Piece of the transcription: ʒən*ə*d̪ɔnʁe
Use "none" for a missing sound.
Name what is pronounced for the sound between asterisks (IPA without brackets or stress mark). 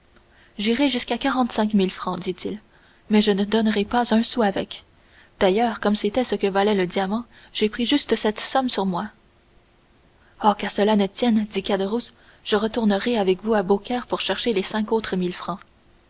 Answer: ə